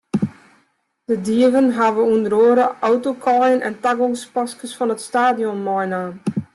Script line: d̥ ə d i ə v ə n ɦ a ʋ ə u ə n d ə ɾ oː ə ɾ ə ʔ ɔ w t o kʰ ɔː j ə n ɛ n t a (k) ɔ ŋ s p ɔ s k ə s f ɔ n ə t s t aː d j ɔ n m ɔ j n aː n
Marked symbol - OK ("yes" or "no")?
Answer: no